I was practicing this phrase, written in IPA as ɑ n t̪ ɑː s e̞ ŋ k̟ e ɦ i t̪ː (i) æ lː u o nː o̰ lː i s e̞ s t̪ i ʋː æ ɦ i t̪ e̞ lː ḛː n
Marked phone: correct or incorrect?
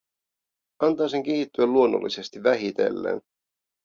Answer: incorrect